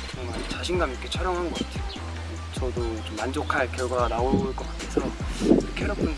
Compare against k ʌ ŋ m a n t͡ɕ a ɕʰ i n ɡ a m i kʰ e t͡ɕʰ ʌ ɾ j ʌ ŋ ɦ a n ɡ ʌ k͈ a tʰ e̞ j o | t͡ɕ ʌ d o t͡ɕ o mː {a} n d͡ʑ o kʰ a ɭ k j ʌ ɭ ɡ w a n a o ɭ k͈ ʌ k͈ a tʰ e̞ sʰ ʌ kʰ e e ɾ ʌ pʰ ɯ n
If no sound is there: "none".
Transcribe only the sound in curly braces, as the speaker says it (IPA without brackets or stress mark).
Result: a